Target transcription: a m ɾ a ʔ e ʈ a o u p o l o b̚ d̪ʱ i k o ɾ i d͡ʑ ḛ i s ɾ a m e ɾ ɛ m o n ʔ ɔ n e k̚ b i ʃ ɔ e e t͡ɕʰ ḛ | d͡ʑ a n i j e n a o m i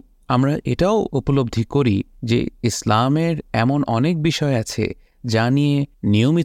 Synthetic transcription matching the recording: a m ɾ a ʔ e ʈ a o u p o l o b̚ d̪ʱ i k o ɾ i d͡ʑ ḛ i s l a m e ɾ ɛ m o n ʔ ɔ n e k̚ b i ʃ ɔ e a t͡ɕʰ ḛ | d͡ʑ a n i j e n i o m i